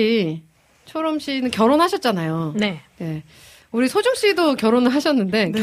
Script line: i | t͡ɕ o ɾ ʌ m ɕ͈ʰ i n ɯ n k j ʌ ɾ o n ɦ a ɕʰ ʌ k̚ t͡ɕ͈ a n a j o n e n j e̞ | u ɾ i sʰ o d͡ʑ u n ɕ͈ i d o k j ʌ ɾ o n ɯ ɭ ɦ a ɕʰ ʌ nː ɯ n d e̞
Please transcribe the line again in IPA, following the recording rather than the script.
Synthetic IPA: i | t͡ɕʰ o ɾ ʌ m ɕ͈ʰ i n ɯ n k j ʌ ɾ o n ɦ a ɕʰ ʌ t̚ t͡ɕ͈ a n a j o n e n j e̞ | u ɾ i sʰ o d͡ʑ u ŋ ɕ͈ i d o k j ʌ ɾ o n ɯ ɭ ɦ a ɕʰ ʌ nː ɯ n d e̞